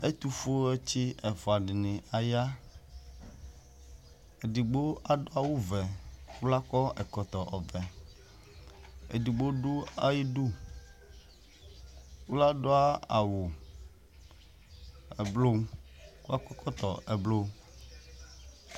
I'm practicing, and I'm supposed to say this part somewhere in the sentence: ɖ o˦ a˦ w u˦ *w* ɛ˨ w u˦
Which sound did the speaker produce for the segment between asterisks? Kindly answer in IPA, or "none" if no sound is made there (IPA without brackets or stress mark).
v